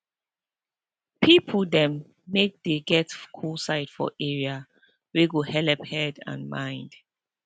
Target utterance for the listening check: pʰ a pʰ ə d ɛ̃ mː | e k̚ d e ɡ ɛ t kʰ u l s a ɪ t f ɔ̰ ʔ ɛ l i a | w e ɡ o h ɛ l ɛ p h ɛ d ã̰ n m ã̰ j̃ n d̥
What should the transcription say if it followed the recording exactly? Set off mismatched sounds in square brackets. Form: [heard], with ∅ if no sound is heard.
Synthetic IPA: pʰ [i] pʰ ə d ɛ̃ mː | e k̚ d e ɡ ɛ t kʰ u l s a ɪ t f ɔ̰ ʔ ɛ [ɹ] i a | w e ɡ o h ɛ l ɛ p h ɛ d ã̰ n m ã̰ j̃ n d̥